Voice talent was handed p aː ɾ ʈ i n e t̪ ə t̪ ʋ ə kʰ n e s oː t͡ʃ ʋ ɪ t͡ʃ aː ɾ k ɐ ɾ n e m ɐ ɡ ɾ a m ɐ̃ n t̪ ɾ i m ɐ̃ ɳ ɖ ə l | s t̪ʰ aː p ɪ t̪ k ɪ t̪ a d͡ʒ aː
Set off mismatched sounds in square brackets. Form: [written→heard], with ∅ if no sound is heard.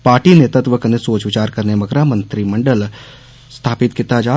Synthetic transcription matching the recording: p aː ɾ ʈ i n e t̪ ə t̪ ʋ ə [kʰ→k] n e s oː t͡ʃ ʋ ɪ t͡ʃ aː ɾ k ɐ ɾ n e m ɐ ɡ ɾ a m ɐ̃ n t̪ ɾ i m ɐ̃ ɳ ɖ ə l | s t̪ʰ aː p ɪ t̪ k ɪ t̪ a d͡ʒ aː